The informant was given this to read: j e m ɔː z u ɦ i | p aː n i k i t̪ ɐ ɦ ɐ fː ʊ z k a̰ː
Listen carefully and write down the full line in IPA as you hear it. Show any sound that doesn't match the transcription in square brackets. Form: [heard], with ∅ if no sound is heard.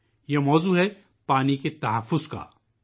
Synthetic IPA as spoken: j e m ɔː z u ɦ [ɛ] | p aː n i k [e] t̪ ɐ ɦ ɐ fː ʊ z k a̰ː